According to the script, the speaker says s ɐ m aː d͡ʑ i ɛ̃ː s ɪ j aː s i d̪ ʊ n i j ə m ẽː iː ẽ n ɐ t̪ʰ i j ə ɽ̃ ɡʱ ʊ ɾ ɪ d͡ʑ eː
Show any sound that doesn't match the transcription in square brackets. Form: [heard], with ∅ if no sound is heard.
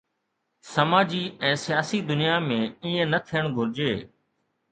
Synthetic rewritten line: s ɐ m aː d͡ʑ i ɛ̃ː s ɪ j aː s i d̪ ʊ n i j [a] m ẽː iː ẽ n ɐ t̪ʰ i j ə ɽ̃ ɡʱ ʊ ɾ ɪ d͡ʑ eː